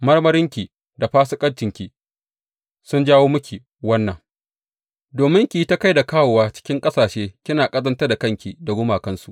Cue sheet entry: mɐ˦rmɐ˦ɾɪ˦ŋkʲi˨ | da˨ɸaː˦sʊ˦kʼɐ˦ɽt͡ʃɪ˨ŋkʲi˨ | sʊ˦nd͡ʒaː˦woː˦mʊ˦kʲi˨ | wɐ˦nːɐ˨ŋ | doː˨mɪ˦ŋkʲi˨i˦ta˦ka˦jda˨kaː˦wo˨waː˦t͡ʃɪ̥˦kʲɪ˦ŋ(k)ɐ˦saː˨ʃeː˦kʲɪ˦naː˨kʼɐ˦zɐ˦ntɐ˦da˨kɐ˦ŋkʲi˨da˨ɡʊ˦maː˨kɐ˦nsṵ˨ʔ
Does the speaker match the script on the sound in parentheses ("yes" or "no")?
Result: no